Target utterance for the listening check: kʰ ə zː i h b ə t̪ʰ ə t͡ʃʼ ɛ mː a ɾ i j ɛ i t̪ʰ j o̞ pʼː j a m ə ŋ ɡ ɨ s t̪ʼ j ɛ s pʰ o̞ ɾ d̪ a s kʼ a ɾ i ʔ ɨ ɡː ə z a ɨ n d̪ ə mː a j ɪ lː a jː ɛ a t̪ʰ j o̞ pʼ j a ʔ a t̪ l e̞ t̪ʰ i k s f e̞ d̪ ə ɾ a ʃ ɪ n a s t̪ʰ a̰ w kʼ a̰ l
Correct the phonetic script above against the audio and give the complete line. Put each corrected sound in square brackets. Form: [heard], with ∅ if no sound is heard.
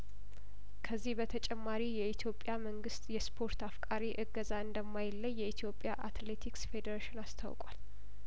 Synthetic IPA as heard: kʰ ə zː i h b ə t̪ʰ ə t͡ʃʼ ɛ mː a ɾ i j ɛ i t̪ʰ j o̞ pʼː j a m ə ŋ ɡ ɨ s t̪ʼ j ɛ s pʰ o̞ ɾ [t̪] a [f] kʼ a ɾ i ʔ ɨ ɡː ə z a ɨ n d̪ ə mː a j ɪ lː [ə] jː ɛ [i] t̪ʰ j o̞ pʼ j a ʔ a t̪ l e̞ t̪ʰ i k s f e̞ d̪ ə ɾ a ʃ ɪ n a s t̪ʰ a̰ w kʼ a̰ l

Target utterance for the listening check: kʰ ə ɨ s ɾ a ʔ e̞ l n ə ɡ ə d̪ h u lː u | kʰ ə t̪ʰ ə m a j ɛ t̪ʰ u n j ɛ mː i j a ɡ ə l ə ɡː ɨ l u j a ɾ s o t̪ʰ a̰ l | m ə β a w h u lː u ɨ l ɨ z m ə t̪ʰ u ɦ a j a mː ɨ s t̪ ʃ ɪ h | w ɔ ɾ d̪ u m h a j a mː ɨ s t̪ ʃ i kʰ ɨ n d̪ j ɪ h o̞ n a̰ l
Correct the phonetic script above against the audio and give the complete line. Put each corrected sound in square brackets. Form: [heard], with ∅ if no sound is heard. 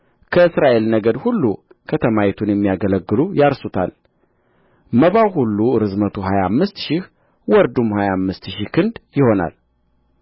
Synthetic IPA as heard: kʰ ə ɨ s ɾ a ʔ e̞ l n ə ɡ ə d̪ h u lː u | kʰ ə t̪ʰ ə m a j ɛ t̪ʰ u n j ɛ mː i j a ɡ ə l ə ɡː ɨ l u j a ɾ s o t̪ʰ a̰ l | m ə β a w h u lː u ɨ [ɾ] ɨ z m ə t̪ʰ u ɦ a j a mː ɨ s t̪ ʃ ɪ h | w ɔ ɾ d̪ u m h a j a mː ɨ s t̪ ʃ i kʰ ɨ n d̪ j ɪ h o̞ n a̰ l

